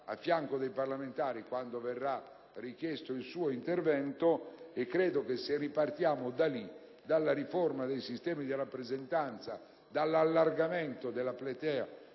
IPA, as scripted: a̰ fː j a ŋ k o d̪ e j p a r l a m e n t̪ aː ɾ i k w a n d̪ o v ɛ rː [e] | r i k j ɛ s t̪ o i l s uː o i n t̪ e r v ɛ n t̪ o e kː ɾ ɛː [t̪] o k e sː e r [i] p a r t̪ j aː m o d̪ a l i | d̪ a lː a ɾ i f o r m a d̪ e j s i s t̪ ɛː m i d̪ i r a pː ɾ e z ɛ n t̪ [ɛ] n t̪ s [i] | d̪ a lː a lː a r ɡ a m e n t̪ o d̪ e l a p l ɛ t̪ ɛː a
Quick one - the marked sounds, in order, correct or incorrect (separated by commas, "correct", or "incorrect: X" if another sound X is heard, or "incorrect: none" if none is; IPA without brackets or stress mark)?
incorrect: a, incorrect: d̪, correct, incorrect: a, incorrect: a